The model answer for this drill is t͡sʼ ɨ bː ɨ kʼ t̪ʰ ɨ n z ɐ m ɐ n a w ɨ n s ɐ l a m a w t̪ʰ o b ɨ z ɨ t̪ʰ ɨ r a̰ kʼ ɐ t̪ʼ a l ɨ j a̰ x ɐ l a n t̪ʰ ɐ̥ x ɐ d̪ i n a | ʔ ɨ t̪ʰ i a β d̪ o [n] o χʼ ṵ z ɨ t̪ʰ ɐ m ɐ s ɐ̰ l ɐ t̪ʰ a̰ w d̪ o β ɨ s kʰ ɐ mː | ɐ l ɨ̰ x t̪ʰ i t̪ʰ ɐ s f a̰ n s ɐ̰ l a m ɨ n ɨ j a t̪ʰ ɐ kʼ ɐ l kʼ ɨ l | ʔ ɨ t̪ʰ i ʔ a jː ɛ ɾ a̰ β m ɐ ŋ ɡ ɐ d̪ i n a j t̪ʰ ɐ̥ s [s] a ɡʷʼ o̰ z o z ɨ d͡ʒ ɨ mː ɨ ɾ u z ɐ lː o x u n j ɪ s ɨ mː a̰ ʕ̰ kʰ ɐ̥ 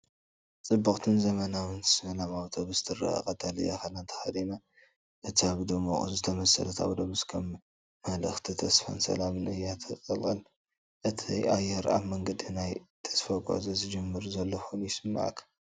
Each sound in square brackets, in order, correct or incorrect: incorrect: m, incorrect: f

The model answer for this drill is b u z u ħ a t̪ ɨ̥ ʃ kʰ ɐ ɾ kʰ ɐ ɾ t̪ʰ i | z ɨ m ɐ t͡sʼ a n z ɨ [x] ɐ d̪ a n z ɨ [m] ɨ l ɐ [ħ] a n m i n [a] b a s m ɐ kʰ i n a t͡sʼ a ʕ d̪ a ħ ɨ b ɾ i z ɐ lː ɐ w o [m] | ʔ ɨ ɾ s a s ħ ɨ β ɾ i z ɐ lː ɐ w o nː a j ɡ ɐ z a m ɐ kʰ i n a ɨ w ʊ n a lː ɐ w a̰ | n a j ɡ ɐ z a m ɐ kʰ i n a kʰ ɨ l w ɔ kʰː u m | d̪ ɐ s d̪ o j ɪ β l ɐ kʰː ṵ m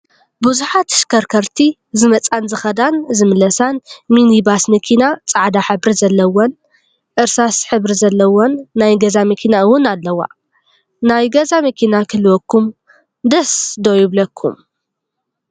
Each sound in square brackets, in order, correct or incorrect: correct, correct, incorrect: s, incorrect: i, incorrect: n

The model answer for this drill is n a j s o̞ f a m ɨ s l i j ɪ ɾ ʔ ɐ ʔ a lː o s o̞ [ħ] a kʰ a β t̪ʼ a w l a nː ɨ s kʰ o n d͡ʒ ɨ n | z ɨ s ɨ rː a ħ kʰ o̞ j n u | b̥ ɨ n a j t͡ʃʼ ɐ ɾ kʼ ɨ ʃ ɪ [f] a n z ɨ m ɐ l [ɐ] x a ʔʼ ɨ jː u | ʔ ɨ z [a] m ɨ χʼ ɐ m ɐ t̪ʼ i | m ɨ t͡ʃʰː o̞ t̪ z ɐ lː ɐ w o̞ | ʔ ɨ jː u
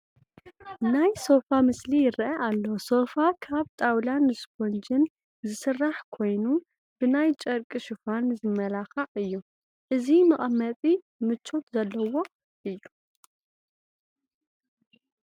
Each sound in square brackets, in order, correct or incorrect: incorrect: f, correct, incorrect: a, incorrect: i

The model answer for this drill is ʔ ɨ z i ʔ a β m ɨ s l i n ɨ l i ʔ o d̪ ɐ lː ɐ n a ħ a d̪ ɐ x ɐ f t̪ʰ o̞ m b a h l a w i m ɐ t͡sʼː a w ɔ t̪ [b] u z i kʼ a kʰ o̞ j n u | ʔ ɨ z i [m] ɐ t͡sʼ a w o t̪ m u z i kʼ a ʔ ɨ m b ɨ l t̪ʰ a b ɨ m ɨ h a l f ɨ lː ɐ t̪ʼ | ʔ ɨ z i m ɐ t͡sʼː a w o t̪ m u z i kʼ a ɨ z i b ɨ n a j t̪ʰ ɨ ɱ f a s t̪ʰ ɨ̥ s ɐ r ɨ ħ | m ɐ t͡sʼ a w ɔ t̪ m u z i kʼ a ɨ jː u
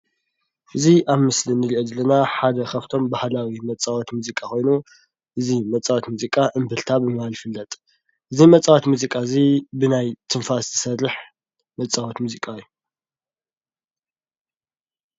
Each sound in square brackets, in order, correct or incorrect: incorrect: m, correct

